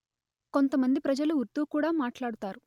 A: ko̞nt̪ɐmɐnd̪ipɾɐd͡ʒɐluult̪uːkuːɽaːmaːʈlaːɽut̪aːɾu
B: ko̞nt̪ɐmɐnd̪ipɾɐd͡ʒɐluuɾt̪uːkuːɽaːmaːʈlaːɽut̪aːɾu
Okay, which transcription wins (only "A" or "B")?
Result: B